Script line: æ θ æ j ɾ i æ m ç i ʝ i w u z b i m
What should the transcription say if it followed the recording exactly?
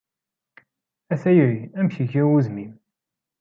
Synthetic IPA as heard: æ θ æ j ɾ i æ m ç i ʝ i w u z m i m